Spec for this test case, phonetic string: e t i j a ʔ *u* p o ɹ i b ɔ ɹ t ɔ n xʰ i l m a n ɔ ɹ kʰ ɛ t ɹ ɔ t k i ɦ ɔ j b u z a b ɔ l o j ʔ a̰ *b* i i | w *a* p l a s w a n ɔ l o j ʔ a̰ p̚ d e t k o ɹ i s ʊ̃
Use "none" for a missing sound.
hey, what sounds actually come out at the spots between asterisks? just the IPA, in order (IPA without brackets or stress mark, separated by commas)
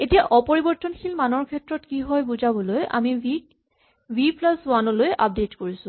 ɔ, m, i